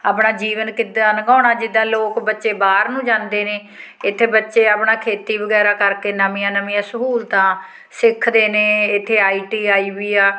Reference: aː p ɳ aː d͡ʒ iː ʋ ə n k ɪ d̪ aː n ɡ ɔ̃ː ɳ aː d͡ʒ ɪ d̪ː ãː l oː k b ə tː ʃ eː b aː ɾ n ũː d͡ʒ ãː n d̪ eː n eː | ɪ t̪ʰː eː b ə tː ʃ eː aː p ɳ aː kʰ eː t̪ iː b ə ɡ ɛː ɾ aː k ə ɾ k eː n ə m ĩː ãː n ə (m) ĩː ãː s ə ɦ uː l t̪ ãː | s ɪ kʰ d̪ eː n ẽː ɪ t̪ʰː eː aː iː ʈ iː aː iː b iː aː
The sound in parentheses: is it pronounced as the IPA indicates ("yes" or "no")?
yes